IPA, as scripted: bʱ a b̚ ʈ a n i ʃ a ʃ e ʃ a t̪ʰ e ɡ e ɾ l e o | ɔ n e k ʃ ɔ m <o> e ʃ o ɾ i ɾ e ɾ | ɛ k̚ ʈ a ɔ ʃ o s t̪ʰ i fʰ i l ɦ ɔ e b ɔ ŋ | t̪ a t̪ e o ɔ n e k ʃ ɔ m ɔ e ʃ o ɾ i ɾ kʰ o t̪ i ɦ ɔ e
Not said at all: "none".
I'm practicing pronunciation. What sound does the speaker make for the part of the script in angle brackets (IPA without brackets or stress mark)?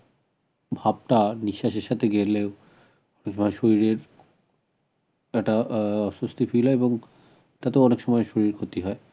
ɔ